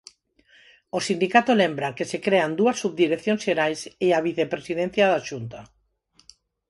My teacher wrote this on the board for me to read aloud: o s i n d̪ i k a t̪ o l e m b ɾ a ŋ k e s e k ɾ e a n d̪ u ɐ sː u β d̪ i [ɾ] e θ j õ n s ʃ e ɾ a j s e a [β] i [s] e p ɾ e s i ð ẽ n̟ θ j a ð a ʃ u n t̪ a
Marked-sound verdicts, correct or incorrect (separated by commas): correct, correct, incorrect